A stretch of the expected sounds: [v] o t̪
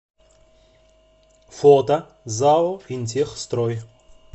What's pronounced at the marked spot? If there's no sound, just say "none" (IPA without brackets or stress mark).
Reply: f